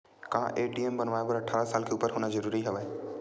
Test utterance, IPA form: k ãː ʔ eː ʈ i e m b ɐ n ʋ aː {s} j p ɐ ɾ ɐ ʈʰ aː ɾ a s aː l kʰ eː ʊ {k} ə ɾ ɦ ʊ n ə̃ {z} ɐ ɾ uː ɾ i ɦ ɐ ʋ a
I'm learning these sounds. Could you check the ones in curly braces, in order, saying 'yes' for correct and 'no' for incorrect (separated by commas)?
no, no, yes